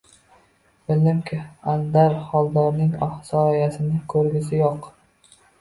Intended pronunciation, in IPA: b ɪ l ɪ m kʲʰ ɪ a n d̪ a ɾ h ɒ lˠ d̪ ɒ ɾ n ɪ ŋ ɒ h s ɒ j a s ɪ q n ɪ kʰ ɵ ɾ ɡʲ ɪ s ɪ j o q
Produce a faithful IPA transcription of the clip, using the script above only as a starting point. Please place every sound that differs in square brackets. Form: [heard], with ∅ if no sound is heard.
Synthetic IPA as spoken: b ɪ l ɪ m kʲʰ ɪ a n d̪ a ɾ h ɒ lˠ d̪ ɒ ɾ n ɪ ŋ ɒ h s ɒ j a s ɪ [∅] n ɪ kʰ ɵ ɾ ɡʲ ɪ s ɪ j o q